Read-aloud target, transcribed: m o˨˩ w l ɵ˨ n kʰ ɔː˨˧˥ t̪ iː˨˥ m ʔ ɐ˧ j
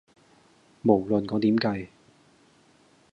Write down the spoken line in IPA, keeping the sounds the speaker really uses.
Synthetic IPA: m o˨˩ w l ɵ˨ n k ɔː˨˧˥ t̪ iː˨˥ m k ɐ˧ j